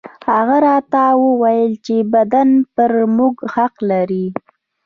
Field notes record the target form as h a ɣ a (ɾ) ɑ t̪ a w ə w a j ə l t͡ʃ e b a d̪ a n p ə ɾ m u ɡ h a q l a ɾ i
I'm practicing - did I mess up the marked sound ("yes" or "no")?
no